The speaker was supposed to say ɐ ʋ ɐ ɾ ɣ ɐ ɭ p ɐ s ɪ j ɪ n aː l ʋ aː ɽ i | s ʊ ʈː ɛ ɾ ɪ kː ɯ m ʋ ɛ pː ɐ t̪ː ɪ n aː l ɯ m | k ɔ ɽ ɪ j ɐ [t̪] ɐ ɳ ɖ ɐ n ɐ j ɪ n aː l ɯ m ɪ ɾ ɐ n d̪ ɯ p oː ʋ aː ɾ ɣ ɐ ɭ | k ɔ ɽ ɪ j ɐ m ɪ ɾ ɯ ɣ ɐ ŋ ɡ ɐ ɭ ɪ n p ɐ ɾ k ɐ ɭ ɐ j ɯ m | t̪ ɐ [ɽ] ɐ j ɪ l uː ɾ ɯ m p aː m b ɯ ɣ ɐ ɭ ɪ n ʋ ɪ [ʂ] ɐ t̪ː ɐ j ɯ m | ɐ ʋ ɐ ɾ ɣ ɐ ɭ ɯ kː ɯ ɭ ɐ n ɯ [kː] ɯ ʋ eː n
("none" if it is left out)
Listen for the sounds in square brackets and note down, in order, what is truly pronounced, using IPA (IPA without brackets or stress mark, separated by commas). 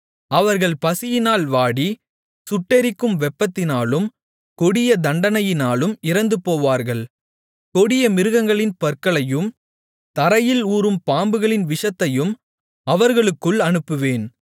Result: d̪, ɾ, ʂ, pː